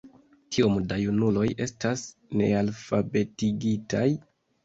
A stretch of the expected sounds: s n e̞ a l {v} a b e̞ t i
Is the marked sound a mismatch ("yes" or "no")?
yes